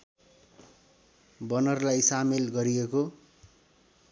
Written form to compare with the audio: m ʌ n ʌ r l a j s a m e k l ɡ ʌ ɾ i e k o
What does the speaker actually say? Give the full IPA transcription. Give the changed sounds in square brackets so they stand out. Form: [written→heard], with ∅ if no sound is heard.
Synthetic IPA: [m→b] ʌ n ʌ r l a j s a m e [k→∅] l ɡ ʌ ɾ i e k o